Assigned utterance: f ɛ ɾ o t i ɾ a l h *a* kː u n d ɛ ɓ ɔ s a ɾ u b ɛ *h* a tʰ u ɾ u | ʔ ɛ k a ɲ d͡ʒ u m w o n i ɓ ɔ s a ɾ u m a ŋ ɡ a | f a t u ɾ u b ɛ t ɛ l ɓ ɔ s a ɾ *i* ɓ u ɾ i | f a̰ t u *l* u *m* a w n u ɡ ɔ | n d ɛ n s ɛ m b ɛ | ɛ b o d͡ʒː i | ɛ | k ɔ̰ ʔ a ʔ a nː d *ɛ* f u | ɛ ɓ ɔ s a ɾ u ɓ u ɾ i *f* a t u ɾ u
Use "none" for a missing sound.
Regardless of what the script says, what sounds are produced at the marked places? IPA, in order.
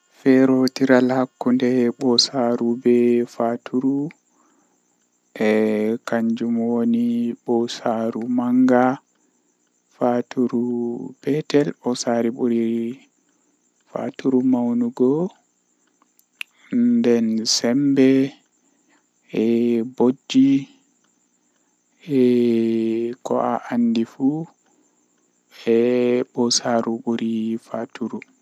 a, f, i, ɾ, m, i, f

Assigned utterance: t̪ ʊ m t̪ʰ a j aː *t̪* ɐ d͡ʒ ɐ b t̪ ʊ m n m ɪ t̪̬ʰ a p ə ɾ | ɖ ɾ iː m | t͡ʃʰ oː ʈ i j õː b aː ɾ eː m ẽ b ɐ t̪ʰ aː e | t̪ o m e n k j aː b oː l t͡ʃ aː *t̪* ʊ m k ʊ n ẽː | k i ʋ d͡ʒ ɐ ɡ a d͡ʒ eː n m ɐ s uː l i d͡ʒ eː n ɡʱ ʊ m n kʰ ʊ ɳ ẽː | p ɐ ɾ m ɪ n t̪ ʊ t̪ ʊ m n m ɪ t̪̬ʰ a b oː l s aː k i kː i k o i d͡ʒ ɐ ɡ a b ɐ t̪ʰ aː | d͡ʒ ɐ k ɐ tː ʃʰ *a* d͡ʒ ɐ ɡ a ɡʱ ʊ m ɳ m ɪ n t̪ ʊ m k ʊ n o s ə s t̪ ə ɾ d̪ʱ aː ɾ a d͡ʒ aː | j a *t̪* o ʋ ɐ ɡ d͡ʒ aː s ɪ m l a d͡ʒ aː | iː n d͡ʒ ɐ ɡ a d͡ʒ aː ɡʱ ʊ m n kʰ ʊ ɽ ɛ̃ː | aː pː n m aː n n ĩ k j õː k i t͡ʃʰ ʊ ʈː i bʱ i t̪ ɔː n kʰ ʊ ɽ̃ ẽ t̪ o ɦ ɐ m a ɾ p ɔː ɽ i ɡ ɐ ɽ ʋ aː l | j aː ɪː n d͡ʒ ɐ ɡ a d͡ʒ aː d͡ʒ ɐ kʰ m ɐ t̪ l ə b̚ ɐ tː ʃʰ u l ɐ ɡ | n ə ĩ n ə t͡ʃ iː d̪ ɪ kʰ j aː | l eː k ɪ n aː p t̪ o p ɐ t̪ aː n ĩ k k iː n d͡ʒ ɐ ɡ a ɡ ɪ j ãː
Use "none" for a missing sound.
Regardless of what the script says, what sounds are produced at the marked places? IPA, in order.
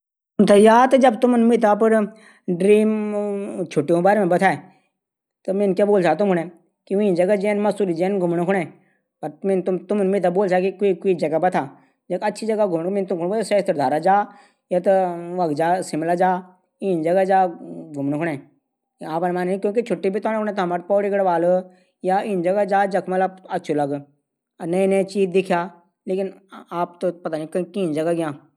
t̪, t̪, i, t̪

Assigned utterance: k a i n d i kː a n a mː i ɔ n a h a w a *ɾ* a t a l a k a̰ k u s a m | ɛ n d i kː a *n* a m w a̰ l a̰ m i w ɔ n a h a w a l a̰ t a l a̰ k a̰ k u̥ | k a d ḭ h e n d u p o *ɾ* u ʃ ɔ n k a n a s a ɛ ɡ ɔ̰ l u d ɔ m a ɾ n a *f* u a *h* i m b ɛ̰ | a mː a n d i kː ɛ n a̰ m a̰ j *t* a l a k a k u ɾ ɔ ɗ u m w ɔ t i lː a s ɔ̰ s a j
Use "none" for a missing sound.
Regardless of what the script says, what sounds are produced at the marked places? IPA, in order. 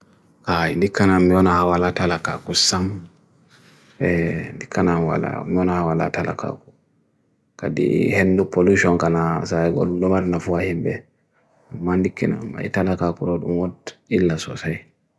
l, n, l, f, h, t

